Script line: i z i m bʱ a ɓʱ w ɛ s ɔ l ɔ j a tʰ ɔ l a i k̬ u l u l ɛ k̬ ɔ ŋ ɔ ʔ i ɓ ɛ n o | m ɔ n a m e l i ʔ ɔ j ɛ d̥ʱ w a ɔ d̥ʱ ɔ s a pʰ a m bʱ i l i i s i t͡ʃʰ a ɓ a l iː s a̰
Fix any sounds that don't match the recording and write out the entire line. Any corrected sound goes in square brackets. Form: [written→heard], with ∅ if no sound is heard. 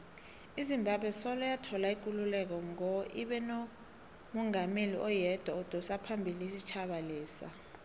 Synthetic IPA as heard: i z i m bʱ a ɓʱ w ɛ s ɔ l ɔ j a tʰ ɔ l a i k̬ u l u l ɛ k̬ ɔ ŋ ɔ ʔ i ɓ ɛ n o | m ɔ [n→ŋ] a m e l i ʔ ɔ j ɛ d̥ʱ w a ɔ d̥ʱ ɔ s a pʰ a m bʱ i l i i s i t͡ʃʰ a ɓ a l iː s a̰